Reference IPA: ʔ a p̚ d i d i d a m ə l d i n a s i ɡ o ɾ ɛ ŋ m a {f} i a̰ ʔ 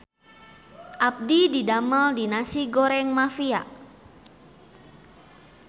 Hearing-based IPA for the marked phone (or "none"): f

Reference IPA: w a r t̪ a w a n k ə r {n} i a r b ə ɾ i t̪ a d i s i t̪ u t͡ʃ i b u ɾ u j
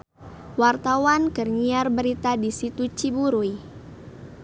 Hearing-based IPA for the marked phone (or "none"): ɲ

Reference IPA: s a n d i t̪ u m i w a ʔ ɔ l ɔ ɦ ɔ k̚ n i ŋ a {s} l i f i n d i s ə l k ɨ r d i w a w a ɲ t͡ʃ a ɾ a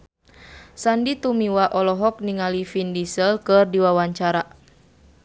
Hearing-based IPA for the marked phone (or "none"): none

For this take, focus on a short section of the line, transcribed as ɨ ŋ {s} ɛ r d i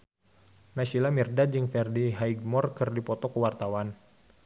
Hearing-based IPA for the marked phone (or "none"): f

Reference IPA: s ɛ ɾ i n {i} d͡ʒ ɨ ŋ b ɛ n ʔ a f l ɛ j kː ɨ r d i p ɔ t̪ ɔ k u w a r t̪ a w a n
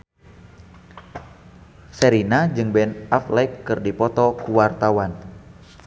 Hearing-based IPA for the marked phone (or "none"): a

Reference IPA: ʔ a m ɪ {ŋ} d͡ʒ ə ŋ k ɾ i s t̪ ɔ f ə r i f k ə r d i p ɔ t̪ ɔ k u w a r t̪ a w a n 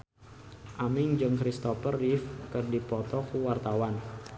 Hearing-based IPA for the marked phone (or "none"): ŋ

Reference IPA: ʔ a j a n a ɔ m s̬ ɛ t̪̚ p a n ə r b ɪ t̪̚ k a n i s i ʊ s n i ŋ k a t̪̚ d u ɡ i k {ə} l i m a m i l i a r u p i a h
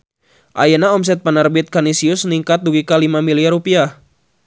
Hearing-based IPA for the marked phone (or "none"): a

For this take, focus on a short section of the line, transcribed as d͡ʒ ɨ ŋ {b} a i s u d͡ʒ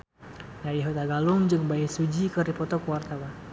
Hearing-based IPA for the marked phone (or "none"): b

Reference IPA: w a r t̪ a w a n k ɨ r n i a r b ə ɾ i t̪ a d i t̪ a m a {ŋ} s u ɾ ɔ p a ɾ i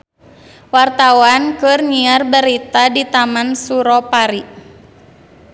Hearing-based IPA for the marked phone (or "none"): n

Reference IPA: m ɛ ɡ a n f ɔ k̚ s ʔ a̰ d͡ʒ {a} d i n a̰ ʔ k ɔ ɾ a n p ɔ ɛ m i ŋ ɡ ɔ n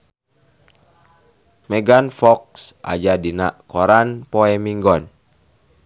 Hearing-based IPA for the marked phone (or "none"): a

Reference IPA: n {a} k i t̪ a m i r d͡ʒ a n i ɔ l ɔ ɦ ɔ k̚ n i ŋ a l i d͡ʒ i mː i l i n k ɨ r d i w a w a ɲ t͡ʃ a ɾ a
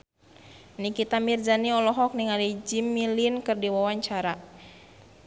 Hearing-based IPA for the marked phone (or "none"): i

